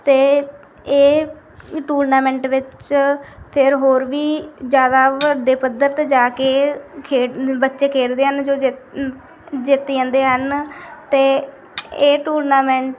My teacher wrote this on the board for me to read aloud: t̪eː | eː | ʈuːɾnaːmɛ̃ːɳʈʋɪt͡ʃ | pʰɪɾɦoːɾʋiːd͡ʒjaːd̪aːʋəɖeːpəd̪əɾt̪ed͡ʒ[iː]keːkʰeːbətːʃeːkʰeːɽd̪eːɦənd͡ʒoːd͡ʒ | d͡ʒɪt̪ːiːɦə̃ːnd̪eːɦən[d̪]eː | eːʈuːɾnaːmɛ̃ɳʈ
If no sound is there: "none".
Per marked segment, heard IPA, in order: aː, t̪

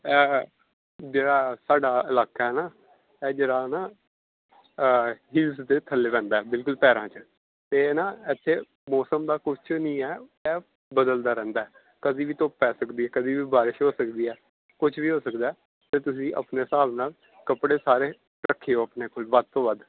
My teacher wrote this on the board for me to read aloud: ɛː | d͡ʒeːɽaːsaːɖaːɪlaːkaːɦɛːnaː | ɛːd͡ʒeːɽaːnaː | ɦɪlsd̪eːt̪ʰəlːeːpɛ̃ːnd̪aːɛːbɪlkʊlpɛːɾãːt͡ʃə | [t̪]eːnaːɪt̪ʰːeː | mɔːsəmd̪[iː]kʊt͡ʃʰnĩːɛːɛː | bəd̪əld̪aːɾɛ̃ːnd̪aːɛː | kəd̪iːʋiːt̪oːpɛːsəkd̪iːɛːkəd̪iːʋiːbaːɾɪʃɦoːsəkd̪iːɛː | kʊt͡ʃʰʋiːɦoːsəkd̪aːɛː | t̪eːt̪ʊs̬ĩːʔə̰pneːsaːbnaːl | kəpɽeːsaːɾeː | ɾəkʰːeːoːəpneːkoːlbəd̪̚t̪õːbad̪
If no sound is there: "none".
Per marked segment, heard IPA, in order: t̪, aː

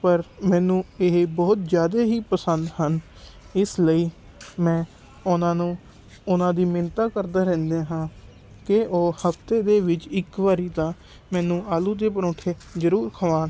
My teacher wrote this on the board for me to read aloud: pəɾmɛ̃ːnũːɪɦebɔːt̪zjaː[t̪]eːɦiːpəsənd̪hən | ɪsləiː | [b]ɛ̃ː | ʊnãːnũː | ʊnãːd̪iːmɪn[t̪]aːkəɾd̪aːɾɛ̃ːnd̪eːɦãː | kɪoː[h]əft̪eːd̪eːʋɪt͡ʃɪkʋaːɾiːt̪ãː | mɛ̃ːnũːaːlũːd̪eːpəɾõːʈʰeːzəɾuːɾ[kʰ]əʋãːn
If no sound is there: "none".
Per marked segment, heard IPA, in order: d̪, m, t̪, h, kʰ

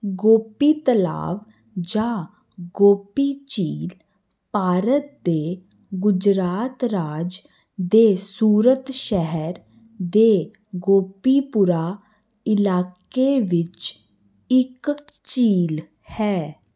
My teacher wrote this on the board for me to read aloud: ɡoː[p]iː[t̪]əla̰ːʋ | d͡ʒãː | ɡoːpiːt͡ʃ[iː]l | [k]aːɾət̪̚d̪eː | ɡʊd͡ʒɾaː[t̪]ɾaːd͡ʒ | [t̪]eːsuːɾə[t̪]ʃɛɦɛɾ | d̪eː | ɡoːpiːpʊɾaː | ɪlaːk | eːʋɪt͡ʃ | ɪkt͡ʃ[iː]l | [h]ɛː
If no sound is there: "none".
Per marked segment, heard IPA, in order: p, t̪, iː, p, t̪, d̪, t̪, iː, h

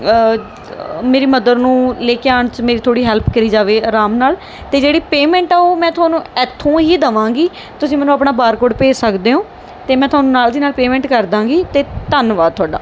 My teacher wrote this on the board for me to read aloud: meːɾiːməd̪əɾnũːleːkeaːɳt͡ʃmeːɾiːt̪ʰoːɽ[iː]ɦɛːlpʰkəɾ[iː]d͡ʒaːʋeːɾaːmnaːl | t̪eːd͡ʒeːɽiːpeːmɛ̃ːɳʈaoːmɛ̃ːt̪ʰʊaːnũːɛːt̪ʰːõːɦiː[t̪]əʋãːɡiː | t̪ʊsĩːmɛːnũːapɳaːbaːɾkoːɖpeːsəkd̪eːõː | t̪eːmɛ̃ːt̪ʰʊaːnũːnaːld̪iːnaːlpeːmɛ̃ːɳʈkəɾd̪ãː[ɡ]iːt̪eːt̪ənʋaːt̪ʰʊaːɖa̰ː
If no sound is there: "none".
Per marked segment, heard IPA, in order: iː, iː, d̪, ɡ

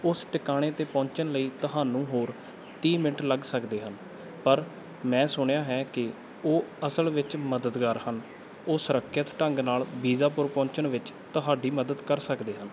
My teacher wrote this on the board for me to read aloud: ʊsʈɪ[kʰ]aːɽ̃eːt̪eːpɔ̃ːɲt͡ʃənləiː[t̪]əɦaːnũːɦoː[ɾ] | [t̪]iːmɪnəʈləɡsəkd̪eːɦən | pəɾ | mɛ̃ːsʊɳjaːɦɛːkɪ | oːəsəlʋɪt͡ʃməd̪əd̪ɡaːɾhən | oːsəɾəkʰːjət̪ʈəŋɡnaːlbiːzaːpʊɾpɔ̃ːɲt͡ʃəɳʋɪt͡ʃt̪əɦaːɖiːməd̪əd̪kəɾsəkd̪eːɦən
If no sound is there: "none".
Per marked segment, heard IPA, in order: k, t̪, ɾ, t̪

